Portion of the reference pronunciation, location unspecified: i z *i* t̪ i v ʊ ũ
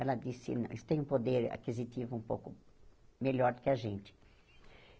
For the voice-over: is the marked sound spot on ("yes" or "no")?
yes